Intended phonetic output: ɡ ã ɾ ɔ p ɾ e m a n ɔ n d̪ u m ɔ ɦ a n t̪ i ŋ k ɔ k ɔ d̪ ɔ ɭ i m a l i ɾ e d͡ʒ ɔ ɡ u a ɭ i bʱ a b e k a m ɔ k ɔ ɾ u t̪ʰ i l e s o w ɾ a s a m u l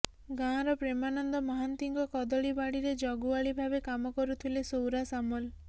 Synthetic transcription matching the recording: ɡ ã ɾ ɔ p ɾ e m a n ɔ n d̪ ɔ m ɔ ɦ a n t̪ i ŋ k ɔ k ɔ d̪ ɔ ɭ i b a ɽ i ɾ e d͡ʒ ɔ ɡ u a ɭ i bʱ a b e k a m ɔ k ɔ ɾ u t̪ʰ i l e s o w ɾ a s a m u l